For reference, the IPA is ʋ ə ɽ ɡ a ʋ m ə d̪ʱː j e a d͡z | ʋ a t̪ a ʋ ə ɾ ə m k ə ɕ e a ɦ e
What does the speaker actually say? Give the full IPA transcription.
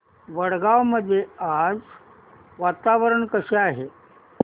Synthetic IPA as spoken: ʋ ə ɽ ɡ a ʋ m ə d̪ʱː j e a d͡z | ʋ a t̪ a ʋ ə ɾ ə ɳ k ə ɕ e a ɦ e